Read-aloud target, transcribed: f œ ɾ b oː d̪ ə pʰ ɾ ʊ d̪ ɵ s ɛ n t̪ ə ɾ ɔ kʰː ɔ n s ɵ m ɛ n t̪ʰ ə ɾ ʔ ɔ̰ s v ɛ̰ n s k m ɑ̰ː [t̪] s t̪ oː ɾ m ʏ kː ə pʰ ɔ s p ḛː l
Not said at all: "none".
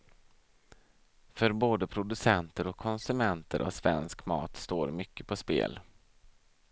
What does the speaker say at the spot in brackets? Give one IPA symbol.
t̪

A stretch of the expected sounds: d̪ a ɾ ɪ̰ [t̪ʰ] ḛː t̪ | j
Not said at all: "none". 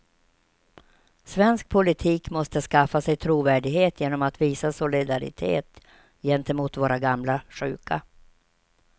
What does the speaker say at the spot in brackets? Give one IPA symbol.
t̪ʰ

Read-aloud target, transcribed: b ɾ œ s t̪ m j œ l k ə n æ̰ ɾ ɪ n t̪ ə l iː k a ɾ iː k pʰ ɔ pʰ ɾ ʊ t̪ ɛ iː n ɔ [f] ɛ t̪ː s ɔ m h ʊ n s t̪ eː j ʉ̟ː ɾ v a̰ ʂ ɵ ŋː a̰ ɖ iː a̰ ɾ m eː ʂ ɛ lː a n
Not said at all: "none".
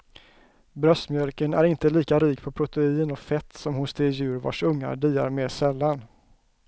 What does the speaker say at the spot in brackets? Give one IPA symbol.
f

